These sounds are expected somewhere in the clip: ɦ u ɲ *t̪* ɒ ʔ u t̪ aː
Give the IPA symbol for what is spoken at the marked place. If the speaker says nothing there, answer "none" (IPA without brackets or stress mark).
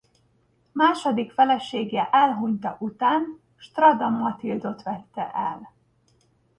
t̪